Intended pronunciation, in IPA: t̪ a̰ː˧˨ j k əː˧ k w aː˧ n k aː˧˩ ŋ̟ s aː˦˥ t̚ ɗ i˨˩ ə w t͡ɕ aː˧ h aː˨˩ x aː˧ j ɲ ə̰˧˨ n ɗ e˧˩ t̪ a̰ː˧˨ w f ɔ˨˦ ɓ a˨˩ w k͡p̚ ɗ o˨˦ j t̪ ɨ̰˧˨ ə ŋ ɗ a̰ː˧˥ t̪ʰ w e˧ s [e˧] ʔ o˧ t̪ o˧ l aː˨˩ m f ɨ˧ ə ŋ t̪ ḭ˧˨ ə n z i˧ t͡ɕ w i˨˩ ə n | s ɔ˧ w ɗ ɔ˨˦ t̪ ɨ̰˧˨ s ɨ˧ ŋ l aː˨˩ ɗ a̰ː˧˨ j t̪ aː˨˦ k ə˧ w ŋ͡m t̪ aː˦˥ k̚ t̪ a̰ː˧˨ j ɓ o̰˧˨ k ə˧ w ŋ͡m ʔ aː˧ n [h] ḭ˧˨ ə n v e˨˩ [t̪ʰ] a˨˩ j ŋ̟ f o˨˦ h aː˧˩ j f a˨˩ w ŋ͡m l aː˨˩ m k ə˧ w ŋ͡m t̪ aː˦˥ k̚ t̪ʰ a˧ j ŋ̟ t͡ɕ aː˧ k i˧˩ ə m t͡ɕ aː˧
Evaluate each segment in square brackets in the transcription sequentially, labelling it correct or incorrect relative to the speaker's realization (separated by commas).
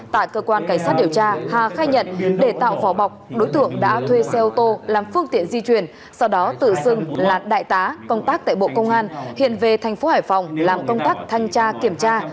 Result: incorrect, correct, correct